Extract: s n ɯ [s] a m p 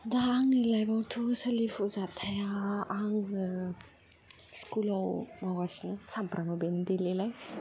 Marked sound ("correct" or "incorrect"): correct